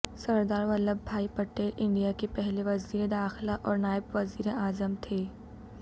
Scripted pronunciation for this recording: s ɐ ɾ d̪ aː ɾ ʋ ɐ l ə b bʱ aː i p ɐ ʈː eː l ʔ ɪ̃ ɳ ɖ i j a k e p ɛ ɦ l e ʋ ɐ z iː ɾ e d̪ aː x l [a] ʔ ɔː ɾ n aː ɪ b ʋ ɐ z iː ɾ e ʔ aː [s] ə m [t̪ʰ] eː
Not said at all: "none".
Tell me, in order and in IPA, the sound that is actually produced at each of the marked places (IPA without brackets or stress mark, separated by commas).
a, z, t̪ʰ